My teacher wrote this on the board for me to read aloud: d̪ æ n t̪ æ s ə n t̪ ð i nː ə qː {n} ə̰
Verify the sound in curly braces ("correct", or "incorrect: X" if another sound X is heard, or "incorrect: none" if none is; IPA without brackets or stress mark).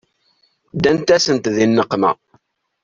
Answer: incorrect: m